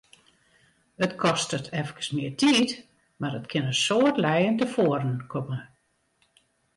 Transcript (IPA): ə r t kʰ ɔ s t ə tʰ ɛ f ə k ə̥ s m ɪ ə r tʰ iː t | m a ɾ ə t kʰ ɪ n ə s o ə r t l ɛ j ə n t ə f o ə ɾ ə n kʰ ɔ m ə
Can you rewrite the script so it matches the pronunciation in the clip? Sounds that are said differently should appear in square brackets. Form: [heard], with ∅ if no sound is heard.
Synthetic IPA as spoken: ə [∅] t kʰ ɔ s t ə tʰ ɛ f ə k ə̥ s m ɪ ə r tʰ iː t | m a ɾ ə t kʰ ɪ n ə s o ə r t l ɛ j ə n t ə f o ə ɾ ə n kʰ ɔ m ə